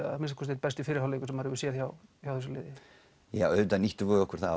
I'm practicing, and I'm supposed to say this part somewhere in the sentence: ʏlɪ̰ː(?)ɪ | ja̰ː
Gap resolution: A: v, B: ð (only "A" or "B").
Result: B